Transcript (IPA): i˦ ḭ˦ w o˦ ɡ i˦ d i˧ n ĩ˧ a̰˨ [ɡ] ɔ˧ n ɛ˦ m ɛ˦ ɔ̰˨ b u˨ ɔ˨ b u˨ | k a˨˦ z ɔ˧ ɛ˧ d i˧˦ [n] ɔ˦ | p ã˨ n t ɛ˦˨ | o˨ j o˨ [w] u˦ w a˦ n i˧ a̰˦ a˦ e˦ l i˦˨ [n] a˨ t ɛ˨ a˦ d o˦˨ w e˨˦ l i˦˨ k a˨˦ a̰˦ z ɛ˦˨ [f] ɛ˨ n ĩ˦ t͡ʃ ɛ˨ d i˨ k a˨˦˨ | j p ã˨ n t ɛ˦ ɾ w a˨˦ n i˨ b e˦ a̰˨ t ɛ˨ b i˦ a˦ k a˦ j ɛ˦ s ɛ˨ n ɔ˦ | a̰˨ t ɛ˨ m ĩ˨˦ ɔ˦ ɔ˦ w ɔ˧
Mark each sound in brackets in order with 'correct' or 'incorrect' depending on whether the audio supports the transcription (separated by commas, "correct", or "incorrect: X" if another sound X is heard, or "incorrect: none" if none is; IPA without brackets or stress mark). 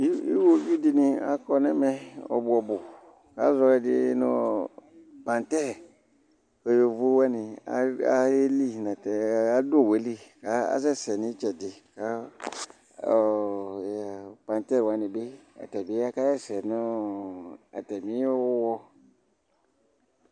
incorrect: k, correct, incorrect: v, correct, incorrect: s